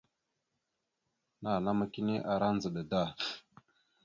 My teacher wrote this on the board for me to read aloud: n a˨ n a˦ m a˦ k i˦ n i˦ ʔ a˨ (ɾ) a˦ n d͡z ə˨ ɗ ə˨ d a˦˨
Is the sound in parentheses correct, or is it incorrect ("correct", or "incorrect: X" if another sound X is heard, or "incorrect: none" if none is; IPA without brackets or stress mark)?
correct